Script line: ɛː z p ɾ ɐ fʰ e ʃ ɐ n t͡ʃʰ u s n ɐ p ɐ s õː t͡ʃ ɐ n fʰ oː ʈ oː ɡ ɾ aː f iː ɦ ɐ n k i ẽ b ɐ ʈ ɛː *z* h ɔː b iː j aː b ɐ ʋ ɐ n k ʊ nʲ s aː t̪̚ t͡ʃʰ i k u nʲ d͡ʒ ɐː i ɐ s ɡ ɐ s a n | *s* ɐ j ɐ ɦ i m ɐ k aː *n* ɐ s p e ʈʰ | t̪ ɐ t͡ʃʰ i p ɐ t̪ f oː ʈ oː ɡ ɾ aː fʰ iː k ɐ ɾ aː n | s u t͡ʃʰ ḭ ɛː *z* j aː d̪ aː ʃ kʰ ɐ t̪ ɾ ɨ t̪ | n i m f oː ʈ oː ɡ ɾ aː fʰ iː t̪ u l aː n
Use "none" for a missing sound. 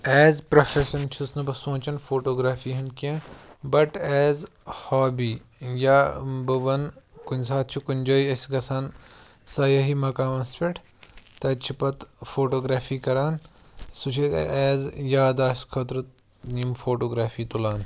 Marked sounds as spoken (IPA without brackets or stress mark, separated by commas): z, s, m, z